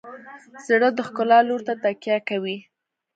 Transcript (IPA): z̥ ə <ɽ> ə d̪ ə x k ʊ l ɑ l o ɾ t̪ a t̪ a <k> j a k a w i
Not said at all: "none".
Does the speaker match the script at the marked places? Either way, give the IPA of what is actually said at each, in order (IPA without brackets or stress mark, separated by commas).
ɽ, k